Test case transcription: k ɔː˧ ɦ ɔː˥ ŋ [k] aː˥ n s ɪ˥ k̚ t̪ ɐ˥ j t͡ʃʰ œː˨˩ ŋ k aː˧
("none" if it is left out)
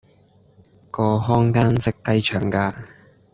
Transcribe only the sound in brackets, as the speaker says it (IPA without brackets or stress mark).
k